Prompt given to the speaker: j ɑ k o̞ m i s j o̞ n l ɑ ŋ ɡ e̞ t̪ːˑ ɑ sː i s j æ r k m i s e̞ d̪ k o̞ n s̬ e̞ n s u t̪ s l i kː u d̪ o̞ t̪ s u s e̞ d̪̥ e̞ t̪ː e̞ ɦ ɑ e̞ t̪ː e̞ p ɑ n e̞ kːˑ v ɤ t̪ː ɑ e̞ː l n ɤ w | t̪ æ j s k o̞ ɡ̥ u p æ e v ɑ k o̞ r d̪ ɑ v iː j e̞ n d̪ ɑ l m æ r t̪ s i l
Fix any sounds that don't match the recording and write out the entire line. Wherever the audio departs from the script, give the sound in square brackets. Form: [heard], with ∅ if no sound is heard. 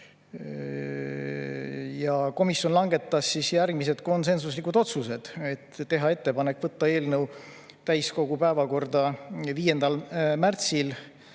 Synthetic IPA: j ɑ k o̞ m i s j o̞ n l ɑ ŋ ɡ e̞ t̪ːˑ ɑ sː i s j æ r [ɡ] m i s e̞ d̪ k o̞ n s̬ e̞ n s u [∅] s l i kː u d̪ o̞ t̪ s u s e̞ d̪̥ e̞ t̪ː e̞ ɦ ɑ e̞ t̪ː e̞ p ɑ n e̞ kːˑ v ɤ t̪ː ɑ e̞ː l n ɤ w | t̪ æ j s k o̞ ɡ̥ u p æ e v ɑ k o̞ r d̪ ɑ v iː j e̞ n d̪ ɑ l m æ r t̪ s i l